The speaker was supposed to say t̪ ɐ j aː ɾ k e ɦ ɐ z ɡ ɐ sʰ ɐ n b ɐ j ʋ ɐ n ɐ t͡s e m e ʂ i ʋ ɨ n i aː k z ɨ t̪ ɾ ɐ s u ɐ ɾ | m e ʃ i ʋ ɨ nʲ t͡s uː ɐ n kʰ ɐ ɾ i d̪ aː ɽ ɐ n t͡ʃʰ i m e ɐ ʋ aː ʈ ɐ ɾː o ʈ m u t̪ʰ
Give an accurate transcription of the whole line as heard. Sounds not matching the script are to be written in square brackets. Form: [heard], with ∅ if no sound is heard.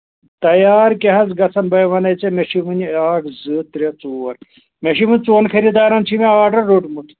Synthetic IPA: t̪ ɐ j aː ɾ k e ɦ ɐ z ɡ ɐ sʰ ɐ n b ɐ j ʋ ɐ n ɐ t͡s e m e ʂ i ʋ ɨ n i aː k z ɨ t̪ ɾ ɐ [t͡s] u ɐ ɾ | m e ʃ i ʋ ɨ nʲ t͡s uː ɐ n kʰ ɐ ɾ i d̪ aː [ɾ] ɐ n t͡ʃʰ i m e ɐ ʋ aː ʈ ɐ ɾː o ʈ m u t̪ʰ